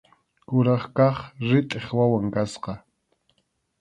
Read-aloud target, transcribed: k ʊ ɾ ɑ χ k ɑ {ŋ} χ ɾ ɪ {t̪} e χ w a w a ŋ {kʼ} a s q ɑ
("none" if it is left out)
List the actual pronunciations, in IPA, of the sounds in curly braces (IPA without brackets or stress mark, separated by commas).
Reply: none, t̪ʼ, k